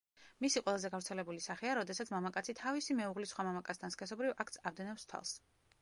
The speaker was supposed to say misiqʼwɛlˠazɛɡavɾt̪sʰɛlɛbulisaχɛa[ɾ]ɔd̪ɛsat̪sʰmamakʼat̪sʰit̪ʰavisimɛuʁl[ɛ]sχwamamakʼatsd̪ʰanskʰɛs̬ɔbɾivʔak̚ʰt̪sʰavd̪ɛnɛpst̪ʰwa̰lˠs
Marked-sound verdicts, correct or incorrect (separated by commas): correct, incorrect